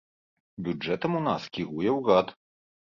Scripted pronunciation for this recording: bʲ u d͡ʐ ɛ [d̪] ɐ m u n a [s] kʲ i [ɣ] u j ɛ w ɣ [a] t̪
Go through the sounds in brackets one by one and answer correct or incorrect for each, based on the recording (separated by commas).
incorrect, correct, correct, correct